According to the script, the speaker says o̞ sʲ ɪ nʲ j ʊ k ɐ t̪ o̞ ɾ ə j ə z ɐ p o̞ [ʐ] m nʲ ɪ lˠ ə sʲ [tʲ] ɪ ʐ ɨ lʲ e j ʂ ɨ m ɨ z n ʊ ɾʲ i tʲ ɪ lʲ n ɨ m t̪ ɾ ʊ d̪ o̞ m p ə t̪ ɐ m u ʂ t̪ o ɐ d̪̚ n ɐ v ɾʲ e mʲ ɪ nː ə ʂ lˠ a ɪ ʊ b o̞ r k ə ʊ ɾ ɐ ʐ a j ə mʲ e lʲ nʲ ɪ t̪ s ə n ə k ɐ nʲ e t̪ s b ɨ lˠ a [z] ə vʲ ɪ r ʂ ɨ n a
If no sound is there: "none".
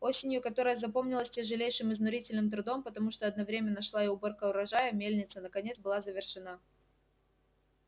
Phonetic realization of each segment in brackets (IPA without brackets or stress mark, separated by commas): none, tʲ, z